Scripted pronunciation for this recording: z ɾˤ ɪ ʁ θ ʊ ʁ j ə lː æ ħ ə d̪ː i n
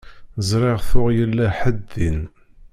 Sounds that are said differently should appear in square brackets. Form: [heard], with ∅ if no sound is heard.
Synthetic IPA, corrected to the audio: z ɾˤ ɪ ʁ θ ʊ ʁ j ə lː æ ħ ə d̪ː i n